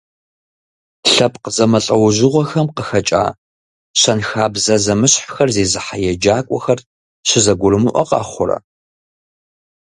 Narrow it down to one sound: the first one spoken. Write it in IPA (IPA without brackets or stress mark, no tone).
ɬ